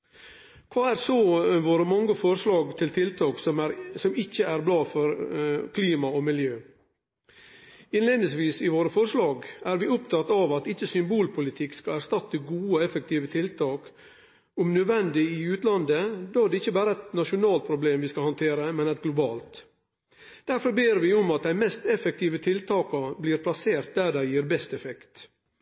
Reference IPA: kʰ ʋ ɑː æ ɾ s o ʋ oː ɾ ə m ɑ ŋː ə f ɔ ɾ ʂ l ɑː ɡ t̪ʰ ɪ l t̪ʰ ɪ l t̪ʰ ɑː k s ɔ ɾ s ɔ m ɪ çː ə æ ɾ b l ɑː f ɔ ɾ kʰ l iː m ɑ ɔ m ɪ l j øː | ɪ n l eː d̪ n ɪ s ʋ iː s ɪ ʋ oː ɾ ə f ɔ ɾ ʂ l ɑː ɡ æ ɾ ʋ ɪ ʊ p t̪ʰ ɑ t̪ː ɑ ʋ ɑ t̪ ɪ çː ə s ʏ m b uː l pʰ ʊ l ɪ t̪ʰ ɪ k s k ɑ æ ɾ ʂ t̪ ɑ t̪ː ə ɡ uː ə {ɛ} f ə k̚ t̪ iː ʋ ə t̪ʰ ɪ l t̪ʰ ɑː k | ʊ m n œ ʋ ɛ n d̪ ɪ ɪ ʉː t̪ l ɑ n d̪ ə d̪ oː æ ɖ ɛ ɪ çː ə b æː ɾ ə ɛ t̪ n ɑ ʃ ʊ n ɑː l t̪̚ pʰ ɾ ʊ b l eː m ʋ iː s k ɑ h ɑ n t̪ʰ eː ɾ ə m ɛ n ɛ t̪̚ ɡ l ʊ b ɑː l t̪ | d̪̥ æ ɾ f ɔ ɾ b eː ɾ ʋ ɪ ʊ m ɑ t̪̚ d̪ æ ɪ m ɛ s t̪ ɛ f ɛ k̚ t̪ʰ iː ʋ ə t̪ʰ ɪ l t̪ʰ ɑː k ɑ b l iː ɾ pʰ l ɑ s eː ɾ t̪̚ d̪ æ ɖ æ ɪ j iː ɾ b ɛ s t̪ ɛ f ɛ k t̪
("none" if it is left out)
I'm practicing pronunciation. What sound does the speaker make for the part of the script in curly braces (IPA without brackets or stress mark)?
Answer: ɛ